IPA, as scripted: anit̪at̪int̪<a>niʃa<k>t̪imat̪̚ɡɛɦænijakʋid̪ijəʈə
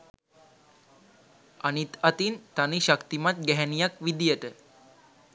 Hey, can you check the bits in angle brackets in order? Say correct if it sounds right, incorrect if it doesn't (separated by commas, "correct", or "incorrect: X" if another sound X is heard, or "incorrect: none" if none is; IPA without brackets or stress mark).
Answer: correct, correct